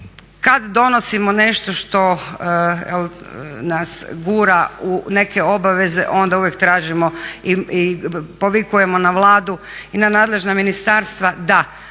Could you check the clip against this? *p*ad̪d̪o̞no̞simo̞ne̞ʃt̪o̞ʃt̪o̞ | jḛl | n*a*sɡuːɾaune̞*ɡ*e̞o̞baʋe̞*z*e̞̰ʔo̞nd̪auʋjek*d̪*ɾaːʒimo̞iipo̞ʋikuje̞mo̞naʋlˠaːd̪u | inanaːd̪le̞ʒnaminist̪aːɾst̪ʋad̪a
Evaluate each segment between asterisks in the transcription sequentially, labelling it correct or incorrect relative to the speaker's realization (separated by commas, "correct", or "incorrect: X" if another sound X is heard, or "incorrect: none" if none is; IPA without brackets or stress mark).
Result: incorrect: k, correct, incorrect: k, correct, incorrect: t̪